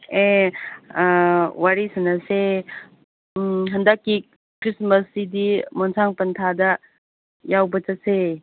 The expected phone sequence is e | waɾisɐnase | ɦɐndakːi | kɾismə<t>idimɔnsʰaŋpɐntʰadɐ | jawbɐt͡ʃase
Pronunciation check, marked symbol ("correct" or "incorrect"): incorrect